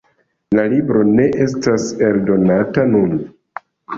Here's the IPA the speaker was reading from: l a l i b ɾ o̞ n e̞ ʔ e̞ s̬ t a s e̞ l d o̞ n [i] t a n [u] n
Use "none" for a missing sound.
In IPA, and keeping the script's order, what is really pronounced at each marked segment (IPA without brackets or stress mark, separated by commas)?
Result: a, u